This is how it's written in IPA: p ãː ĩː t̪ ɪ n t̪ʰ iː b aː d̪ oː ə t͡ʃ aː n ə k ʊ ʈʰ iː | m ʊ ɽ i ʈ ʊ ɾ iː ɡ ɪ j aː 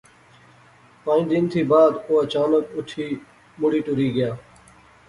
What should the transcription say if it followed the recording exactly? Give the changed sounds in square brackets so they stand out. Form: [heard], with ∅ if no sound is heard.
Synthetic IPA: p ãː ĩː [d̪] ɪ n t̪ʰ iː b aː d̪ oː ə t͡ʃ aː n ə k ʊ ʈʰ iː | m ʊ ɽ [iː] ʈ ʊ ɾ iː ɡ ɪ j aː